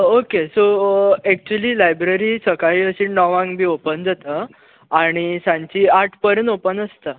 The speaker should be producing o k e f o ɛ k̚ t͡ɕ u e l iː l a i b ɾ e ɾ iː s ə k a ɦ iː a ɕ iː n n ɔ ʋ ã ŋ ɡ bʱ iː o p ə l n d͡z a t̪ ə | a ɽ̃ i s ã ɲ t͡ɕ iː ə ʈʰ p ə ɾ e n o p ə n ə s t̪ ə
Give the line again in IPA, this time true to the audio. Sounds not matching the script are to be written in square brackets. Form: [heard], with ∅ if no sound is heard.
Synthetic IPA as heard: o k e [s] o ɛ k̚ t͡ɕ u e l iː l a [j] b ɾ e ɾ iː s ə k a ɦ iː [ə] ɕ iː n n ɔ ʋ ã ŋ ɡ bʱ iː o p ə [∅] n d͡z a t̪ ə | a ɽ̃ i s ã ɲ t͡ɕ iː [a] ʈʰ p ə ɾ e n o p ə n ə s t̪ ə